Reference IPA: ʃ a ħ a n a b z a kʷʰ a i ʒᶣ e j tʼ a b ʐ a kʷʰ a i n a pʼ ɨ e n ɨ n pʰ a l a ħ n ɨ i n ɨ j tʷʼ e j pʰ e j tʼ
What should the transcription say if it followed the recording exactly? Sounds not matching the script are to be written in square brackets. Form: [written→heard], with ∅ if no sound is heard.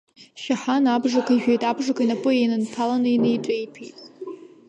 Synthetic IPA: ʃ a ħ a n a b [z→ʐ] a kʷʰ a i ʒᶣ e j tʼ a b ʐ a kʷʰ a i n a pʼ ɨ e n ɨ n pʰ a l a [ħ→∅] n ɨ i n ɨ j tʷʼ e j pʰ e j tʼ